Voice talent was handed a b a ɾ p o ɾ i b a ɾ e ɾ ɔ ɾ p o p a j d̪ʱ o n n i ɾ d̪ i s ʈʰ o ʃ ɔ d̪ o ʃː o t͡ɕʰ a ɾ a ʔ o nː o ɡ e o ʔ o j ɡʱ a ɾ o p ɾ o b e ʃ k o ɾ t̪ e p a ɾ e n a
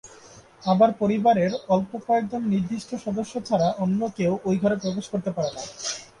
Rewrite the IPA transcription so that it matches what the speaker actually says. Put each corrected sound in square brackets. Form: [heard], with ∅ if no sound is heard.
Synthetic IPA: a b a ɾ p o ɾ i b a ɾ e ɾ ɔ [l] p o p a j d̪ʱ o n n i ɾ d̪ i [ʃ] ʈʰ o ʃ ɔ d̪ o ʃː o t͡ɕʰ a ɾ a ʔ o nː o [k] e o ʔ o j ɡʱ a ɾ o p ɾ o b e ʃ k o ɾ t̪ e p a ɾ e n a